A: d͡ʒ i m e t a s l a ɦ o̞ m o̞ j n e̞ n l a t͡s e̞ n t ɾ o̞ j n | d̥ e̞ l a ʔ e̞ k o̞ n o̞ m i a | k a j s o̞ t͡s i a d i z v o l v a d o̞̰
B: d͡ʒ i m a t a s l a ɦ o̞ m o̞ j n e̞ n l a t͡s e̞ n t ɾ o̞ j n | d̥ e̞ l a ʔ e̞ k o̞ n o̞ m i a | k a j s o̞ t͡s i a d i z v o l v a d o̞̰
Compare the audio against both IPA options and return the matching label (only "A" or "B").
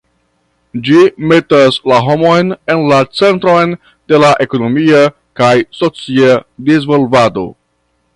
A